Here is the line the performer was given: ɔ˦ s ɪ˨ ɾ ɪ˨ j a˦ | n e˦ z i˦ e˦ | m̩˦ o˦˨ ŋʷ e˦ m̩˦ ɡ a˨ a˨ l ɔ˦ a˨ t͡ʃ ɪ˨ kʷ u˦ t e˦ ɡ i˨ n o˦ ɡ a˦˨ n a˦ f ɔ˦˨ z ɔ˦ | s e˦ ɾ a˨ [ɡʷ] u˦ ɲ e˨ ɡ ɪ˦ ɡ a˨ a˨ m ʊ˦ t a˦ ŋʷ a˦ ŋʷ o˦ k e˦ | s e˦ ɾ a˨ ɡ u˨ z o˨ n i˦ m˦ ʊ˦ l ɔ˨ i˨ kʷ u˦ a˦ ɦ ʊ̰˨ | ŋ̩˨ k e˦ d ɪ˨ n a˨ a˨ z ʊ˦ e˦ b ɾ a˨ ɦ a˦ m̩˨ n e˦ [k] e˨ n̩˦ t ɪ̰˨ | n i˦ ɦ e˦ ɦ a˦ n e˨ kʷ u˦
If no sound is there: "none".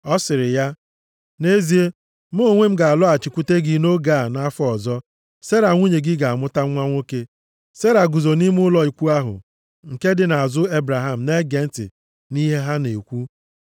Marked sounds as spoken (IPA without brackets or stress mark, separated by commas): ŋʷ, ɡ